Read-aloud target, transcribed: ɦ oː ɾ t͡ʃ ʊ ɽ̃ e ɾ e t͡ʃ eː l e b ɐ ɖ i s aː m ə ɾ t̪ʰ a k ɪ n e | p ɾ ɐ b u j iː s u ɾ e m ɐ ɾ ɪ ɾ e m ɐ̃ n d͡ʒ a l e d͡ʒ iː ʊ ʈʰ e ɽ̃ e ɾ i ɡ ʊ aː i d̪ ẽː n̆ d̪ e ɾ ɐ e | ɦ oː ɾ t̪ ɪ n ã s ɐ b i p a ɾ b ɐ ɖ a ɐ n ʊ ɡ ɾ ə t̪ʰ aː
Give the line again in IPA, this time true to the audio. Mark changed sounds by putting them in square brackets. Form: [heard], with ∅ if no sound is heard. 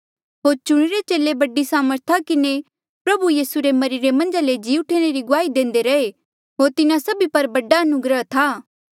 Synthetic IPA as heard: ɦ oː ɾ t͡ʃ ʊ ɽ̃ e ɾ e t͡ʃ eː l e b ɐ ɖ i s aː m ə ɾ t̪ʰ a k ɪ n e | p ɾ ɐ b u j iː s u ɾ e m ɐ ɾ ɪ ɾ e m ɐ̃ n d͡ʒ a l e d͡ʒ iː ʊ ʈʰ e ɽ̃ e ɾ i ɡ ʊ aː i d̪ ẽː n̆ d̪ e ɾ ɐ e | ɦ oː ɾ t̪ ɪ n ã s ɐ b i p [ɐ] ɾ b ɐ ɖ a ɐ n ʊ ɡ ɾ ə t̪ʰ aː

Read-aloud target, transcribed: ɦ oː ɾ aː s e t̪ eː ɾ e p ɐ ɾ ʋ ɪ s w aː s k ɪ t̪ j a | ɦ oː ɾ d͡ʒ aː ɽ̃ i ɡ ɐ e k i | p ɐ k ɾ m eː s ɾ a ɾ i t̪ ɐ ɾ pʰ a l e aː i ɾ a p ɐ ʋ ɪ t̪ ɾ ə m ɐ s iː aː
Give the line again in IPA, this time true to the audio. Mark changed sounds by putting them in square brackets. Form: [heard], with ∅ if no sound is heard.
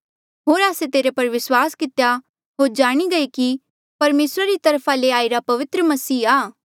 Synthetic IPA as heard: ɦ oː ɾ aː s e t̪ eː ɾ e p ɐ ɾ ʋ ɪ s w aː s k ɪ t̪ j a | ɦ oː ɾ d͡ʒ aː ɽ̃ i ɡ ɐ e k i | p ɐ [∅] ɾ m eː s ɾ a ɾ i t̪ ɐ ɾ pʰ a l e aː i ɾ a p ɐ ʋ ɪ t̪ ɾ ə m ɐ s iː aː

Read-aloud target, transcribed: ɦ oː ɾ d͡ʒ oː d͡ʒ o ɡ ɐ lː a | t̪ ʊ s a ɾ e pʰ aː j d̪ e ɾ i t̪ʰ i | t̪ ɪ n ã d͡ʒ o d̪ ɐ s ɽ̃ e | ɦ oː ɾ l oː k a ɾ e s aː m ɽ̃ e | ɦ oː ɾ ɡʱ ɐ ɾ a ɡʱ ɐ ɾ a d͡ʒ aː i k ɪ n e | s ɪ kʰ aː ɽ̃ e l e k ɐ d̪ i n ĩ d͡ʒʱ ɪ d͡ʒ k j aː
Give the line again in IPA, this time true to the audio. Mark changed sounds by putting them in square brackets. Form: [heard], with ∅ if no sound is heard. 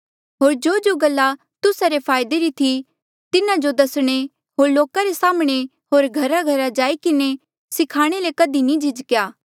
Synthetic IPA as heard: ɦ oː ɾ d͡ʒ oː d͡ʒ o ɡ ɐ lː a | t̪ ʊ s a ɾ e pʰ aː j d̪ e ɾ i t̪ʰ i | t̪ ɪ n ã d͡ʒ o d̪ ɐ s ɽ̃ e | ɦ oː ɾ l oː k a ɾ e s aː m ɽ̃ e | ɦ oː ɾ ɡʱ ɐ ɾ a ɡʱ ɐ ɾ a d͡ʒ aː i k ɪ n e | s ɪ kʰ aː ɽ̃ e l e k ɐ d̪ i n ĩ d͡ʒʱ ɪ d͡ʒ k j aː

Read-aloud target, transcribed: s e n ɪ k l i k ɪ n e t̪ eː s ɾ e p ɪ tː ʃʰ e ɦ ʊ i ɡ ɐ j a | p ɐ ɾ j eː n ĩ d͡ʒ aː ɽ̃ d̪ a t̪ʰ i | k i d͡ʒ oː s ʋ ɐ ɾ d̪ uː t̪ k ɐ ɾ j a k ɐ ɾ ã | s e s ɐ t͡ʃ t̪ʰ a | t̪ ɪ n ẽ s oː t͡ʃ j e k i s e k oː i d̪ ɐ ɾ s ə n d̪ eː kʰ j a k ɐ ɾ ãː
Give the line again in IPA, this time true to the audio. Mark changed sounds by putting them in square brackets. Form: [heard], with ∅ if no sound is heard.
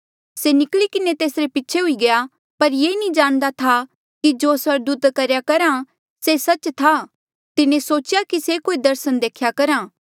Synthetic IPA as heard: s e n ɪ k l i k ɪ n e t̪ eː s ɾ e p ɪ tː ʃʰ e ɦ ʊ i ɡ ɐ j a | p ɐ ɾ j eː n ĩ d͡ʒ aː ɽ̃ d̪ a t̪ʰ [a] | k i d͡ʒ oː s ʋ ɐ ɾ d̪ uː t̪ k ɐ ɾ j a k ɐ ɾ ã | s e s ɐ t͡ʃ t̪ʰ a | t̪ ɪ n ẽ s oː t͡ʃ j [a] k i s e k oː i d̪ ɐ ɾ s ə n d̪ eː kʰ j a k ɐ ɾ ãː

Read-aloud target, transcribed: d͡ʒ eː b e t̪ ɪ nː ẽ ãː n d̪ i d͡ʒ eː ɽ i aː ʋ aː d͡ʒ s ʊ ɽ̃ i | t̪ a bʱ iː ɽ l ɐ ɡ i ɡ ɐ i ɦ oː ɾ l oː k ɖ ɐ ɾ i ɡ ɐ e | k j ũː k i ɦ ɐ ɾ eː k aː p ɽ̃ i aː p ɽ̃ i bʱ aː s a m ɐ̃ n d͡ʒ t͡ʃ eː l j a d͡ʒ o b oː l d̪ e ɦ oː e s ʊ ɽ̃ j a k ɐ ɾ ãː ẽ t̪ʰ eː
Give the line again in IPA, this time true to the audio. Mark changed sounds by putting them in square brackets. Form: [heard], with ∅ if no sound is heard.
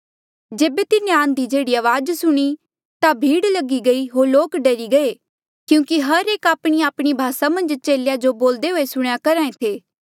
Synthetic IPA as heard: d͡ʒ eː b e t̪ ɪ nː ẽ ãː n d̪ i d͡ʒ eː ɽ i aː ʋ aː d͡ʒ s ʊ ɽ̃ i | t̪ a bʱ iː ɽ l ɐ ɡ i ɡ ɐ i ɦ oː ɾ l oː k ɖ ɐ ɾ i ɡ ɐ e | k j ũː k i ɦ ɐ ɾ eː k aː p ɽ̃ i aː p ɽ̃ i bʱ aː s a m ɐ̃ n d͡ʒ t͡ʃ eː l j a d͡ʒ o b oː l d̪ e ɦ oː e s ʊ ɽ̃ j a k ɐ ɾ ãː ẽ t̪ʰ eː

